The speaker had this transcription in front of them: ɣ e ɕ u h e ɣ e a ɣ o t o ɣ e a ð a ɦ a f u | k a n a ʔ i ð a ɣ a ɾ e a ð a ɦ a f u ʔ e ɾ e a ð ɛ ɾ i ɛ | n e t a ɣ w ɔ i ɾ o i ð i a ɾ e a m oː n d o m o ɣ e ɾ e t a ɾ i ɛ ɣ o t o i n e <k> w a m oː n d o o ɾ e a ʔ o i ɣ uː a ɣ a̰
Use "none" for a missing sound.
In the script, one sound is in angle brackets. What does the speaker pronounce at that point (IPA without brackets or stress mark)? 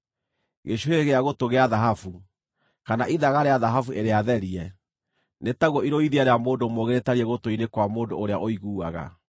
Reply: k